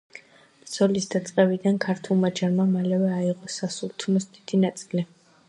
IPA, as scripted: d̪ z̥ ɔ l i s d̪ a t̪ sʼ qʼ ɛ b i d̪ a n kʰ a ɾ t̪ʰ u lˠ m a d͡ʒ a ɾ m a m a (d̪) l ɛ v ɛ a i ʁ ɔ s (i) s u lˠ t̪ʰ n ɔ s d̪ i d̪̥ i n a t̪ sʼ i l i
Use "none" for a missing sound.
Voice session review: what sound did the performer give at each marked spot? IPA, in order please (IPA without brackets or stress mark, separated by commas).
none, a